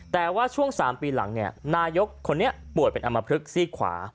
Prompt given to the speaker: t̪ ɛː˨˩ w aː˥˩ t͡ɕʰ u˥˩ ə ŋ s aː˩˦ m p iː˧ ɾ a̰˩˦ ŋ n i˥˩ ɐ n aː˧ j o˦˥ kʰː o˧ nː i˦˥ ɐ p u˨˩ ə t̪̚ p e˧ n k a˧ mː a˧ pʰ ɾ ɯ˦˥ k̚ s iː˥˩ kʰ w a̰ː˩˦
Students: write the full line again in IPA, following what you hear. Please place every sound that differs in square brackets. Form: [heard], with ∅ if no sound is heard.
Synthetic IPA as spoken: t̪ ɛː˨˩ w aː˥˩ t͡ɕʰ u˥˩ ə ŋ s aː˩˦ m p iː˧ [l] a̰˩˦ ŋ n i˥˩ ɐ n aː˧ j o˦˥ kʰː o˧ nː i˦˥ ɐ p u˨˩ ə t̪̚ p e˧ n [ʔ] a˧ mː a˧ pʰ ɾ ɯ˦˥ k̚ s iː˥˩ kʰ w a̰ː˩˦